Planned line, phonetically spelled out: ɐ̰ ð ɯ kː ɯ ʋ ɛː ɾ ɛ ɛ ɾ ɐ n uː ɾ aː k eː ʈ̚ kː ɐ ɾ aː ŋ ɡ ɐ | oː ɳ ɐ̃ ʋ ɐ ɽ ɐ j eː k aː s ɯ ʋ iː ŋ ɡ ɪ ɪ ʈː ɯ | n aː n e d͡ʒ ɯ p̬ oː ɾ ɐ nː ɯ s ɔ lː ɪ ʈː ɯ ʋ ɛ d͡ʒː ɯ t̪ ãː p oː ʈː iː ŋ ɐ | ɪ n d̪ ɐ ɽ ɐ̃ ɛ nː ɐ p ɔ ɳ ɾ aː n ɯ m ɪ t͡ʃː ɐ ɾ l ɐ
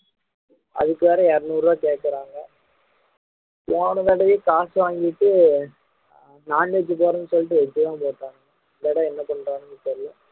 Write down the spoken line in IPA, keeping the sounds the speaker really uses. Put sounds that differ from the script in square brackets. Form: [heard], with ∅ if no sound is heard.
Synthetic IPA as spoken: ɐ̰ ð ɯ kː ɯ ʋ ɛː ɾ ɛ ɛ ɾ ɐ n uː ɾ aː k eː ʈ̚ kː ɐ ɾ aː ŋ ɡ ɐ | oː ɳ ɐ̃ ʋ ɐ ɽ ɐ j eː k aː s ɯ ʋ [aː] ŋ ɡ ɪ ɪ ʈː ɯ | n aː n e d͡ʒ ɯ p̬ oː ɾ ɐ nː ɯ s ɔ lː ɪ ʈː ɯ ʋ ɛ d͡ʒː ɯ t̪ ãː p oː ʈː [aː] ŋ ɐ | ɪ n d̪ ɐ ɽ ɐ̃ ɛ nː ɐ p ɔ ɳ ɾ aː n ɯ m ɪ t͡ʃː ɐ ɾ l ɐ